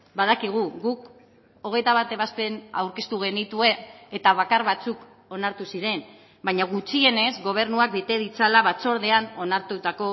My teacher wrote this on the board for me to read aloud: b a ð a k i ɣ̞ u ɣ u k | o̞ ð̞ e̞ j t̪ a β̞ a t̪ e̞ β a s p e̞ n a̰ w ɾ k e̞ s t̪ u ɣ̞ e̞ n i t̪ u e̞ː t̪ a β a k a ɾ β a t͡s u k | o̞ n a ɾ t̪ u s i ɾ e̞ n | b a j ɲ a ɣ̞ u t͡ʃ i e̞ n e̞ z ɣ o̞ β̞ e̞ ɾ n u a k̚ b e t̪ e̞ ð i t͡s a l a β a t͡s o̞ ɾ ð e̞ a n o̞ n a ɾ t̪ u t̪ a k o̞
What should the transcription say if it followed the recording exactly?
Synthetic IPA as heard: b a ð a k i ɣ̞ u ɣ u k | o̞ ɣ̞ e̞ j t̪ a β̞ a t̪ e̞ β a s p e̞ n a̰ w ɾ k e̞ s t̪ u ɣ̞ e̞ n i t̪ u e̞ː t̪ a β a k a ɾ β a t͡s u k | o̞ n a ɾ t̪ u s i ɾ e̞ n | b a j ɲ a ɣ̞ u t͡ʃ i e̞ n e̞ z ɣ o̞ β̞ e̞ ɾ n u a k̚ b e t̪ e̞ ð i t͡s a l a β a t͡s o̞ ɾ ð e̞ a n o̞ n a ɾ t̪ u t̪ a k o̞